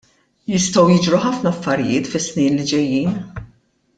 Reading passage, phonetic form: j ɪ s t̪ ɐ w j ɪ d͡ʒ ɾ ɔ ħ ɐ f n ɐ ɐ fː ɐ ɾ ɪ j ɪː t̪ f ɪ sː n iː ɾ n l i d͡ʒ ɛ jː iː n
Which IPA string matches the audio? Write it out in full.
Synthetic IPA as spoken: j ɪ s t̪ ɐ w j ɪ d͡ʒ ɾ u ħ ɐ f n ɐ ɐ fː ɐ ɾ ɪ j ɪː t̪ f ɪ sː n iː n l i d͡ʒ ɛ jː iː n